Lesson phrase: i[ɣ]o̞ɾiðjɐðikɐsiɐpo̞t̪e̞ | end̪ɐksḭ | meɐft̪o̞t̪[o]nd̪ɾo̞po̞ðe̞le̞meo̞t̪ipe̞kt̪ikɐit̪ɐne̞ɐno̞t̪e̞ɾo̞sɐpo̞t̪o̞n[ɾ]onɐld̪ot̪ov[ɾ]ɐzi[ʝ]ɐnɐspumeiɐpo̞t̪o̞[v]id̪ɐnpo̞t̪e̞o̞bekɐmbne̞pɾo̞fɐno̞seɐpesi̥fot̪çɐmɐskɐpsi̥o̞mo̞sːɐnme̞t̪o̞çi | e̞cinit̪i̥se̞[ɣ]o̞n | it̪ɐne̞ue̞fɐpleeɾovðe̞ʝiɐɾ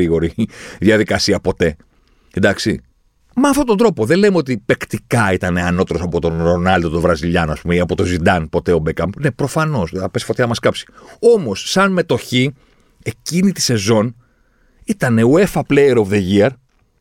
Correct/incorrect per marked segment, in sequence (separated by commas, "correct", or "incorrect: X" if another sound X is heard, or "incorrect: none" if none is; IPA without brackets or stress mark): correct, correct, correct, correct, incorrect: ʎ, incorrect: z, incorrect: z